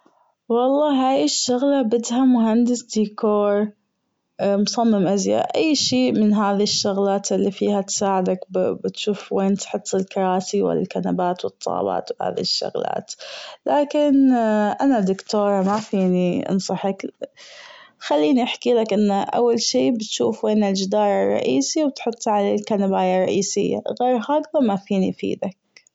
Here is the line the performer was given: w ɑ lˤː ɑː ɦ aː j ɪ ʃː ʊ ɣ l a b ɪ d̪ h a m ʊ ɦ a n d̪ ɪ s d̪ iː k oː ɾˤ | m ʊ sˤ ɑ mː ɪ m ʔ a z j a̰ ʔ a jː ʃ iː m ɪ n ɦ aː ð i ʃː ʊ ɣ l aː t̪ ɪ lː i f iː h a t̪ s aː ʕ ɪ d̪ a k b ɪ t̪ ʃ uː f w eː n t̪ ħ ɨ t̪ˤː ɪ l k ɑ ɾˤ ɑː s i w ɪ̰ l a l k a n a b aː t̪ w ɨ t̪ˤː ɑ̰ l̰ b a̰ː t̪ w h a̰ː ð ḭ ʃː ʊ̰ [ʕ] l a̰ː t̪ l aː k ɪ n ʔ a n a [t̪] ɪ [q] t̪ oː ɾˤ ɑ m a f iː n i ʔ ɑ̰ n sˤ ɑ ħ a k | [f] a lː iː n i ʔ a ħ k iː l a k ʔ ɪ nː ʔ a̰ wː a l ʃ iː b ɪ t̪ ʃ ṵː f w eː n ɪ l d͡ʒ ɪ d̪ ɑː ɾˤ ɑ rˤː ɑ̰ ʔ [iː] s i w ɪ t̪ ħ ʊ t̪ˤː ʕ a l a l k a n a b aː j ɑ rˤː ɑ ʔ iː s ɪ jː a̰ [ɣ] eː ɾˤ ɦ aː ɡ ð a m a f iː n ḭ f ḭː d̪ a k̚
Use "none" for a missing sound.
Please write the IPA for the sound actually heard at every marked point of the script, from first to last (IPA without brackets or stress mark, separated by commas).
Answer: ɣ, d̪, k, x, iː, ɣ